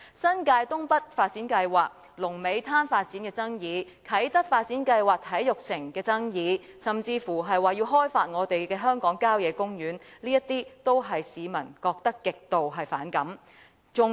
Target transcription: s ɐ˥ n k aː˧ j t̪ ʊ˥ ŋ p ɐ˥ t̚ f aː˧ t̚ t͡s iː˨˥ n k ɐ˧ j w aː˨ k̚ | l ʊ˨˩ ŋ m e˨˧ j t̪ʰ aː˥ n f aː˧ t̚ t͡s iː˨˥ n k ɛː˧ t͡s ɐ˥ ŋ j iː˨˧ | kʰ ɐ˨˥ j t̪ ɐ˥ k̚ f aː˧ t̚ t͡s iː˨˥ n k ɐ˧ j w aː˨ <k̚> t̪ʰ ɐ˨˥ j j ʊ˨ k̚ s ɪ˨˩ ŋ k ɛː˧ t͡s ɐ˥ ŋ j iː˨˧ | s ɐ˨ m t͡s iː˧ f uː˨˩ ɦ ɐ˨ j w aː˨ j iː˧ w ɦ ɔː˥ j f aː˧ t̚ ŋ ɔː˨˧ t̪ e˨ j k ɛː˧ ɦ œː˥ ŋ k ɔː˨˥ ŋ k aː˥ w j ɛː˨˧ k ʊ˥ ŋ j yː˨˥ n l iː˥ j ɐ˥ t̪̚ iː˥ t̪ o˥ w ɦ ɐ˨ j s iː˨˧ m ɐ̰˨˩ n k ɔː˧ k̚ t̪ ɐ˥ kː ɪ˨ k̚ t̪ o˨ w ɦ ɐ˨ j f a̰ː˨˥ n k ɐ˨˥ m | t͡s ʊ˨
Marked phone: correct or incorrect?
correct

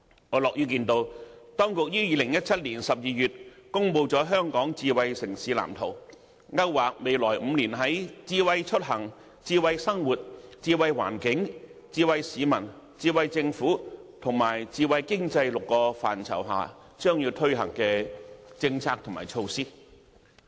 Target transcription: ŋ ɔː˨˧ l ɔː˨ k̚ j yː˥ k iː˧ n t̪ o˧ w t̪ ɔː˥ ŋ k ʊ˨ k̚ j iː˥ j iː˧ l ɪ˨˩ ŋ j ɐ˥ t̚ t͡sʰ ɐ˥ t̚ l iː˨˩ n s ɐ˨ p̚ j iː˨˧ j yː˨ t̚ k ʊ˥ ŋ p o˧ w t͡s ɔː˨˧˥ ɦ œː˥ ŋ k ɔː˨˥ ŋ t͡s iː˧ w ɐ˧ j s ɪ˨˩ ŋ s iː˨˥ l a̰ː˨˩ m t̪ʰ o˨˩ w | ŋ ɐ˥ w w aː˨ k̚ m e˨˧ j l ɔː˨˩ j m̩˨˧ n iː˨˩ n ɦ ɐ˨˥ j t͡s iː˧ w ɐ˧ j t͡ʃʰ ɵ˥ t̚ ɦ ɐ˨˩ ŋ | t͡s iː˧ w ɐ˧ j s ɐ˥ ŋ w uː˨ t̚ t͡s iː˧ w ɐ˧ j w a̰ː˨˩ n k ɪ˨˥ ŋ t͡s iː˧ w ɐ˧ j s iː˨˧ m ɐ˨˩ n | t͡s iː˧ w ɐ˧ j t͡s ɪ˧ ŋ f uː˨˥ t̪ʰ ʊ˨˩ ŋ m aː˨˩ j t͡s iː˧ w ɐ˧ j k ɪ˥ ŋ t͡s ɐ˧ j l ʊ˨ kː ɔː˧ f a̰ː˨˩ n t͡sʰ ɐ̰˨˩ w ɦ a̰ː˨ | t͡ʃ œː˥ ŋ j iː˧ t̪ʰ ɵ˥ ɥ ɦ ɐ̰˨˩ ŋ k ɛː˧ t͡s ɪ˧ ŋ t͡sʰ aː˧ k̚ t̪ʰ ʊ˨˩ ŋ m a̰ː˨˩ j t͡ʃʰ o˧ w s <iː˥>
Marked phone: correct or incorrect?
correct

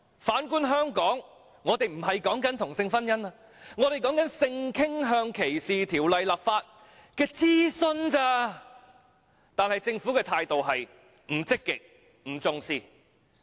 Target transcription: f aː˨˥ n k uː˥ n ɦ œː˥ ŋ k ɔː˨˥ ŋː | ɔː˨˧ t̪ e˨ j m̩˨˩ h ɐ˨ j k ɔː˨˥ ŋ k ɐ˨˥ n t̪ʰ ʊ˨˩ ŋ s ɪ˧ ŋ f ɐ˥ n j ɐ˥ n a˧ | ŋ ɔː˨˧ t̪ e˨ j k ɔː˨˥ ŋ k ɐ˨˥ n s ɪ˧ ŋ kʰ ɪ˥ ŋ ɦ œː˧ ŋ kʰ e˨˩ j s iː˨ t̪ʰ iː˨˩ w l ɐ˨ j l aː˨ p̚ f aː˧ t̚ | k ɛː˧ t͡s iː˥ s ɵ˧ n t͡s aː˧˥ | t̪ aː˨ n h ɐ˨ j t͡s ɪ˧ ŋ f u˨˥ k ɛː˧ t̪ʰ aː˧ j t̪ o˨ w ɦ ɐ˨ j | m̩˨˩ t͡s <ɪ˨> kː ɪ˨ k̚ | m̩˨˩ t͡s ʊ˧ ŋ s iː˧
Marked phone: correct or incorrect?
incorrect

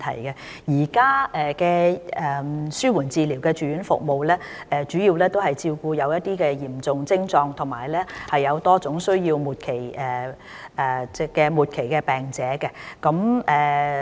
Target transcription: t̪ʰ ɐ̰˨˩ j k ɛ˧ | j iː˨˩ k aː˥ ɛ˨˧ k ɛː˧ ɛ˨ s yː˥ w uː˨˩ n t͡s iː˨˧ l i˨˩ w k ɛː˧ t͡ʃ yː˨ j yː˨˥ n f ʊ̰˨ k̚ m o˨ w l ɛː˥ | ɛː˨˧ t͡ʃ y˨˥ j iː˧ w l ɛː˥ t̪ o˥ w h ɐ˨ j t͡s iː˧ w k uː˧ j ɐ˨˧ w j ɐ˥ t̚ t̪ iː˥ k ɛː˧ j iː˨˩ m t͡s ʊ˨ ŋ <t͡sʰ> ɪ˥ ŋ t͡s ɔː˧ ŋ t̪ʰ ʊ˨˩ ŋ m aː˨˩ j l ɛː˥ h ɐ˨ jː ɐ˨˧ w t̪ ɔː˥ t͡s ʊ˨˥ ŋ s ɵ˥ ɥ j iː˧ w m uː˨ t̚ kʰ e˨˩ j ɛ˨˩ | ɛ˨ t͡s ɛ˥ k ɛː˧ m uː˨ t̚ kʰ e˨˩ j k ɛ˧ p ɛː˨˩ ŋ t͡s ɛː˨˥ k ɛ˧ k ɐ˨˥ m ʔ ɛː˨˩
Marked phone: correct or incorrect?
incorrect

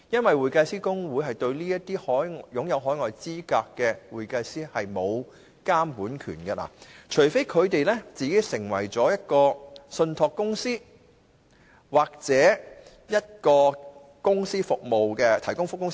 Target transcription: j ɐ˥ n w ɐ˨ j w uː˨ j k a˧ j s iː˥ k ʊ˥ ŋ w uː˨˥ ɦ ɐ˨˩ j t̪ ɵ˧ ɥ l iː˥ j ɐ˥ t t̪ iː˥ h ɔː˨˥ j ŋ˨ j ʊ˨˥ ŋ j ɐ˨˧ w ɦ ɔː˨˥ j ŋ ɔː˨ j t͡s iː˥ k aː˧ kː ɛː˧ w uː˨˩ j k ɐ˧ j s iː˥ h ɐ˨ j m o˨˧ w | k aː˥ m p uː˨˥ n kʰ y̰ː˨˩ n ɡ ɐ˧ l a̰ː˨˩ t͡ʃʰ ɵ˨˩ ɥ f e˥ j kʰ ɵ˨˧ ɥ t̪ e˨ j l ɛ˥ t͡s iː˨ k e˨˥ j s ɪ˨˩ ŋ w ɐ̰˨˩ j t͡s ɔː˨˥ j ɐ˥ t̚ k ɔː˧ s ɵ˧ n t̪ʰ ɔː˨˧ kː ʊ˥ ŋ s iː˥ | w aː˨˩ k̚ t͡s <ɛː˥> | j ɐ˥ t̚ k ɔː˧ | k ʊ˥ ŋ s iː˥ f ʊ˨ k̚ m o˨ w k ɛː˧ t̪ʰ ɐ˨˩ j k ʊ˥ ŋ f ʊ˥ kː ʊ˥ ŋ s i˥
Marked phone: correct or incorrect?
incorrect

